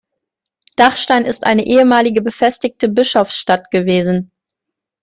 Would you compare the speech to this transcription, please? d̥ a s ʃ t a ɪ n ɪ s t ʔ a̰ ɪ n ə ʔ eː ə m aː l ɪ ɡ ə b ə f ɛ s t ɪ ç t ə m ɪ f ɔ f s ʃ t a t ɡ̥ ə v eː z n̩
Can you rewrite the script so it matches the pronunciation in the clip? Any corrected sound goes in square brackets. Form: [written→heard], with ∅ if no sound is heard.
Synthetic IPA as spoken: d̥ a [s→χ] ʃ t a ɪ n ɪ s t ʔ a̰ ɪ n ə ʔ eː ə m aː l ɪ ɡ ə b ə f ɛ s t ɪ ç t ə [m→b] ɪ [f→ʃ] ɔ f s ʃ t a t ɡ̥ ə v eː z n̩